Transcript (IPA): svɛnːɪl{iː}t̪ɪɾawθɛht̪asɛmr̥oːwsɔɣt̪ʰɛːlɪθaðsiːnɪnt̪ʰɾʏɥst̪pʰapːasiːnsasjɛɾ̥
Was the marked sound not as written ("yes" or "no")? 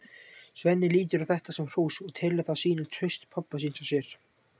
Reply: no